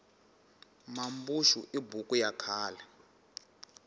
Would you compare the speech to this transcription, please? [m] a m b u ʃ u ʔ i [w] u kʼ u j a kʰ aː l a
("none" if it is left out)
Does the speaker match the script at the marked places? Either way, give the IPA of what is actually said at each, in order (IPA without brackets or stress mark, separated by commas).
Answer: m, b